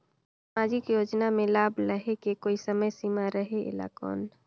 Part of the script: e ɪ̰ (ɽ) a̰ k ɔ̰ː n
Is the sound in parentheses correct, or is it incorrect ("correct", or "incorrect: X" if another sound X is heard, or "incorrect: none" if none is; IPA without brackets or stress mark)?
incorrect: l